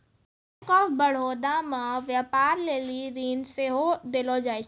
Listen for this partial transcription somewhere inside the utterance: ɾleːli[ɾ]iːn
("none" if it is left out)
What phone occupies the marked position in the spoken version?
ɾ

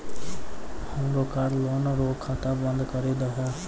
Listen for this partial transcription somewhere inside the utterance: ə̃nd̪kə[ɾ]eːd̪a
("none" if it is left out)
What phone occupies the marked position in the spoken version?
ɾ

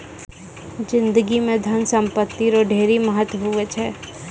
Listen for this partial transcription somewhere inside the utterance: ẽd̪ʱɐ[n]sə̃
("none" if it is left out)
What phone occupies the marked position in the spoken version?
n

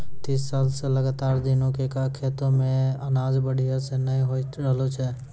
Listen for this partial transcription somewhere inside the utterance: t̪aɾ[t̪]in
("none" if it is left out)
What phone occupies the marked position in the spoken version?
d̪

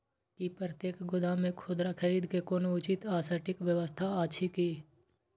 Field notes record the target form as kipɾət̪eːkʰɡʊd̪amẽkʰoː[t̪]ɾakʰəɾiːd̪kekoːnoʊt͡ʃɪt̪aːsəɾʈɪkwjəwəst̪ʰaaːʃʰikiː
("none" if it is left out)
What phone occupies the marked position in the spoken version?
d̪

